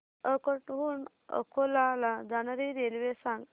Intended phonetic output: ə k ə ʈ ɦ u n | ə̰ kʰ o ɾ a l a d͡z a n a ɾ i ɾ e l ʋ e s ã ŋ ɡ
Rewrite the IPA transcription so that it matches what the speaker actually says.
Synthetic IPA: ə k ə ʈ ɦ u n | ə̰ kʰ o l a l a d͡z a n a ɾ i ɾ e l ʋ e s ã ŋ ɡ